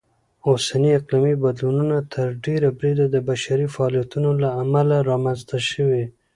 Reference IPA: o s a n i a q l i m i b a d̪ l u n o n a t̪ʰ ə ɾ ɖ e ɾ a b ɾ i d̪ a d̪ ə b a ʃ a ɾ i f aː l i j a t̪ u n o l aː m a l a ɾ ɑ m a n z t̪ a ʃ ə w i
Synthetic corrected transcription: o s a n i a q l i m i b a d̪ l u n u n a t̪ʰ ə ɾ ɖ e ɾ a b ɾ i d̪ a d̪ ə b a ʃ a ɾ i f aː l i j a t̪ u n o l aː m a l a ɾ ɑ m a n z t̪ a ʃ ə w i